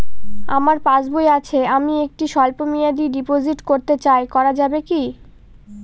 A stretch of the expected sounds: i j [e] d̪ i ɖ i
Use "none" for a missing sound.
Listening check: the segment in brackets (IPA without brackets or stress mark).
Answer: a